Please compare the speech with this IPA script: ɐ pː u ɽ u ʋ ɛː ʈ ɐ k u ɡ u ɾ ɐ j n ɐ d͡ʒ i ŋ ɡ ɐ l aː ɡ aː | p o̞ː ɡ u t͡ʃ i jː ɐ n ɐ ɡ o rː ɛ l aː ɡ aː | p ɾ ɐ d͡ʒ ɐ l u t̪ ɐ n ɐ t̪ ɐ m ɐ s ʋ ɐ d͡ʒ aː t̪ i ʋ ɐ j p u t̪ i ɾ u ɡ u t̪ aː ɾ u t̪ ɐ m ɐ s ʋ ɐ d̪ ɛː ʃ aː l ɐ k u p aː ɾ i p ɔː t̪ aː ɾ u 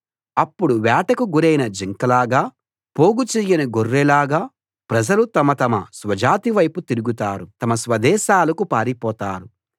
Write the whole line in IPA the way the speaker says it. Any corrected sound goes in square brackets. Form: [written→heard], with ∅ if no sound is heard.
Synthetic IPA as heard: ɐ pː u ɽ u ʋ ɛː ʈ ɐ k u ɡ u ɾ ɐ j n ɐ d͡ʒ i ŋ [ɡ→k] ɐ l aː ɡ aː | p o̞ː ɡ u t͡ʃ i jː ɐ n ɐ ɡ o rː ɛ l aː ɡ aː | p ɾ ɐ d͡ʒ ɐ l u t̪ ɐ [n→m] ɐ t̪ ɐ m ɐ s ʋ ɐ d͡ʒ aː t̪ i ʋ ɐ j p u t̪ i ɾ u ɡ u t̪ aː ɾ u t̪ ɐ m ɐ s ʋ ɐ d̪ ɛː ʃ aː l ɐ k u p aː ɾ i p ɔː t̪ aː ɾ u